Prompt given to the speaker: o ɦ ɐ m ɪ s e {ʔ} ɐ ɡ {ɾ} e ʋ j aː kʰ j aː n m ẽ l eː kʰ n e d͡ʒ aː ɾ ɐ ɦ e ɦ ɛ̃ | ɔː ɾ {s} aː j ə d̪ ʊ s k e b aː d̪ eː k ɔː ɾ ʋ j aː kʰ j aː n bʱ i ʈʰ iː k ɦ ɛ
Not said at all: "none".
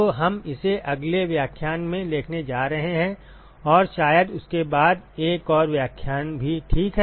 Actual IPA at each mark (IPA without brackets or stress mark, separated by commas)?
ʔ, l, ʃ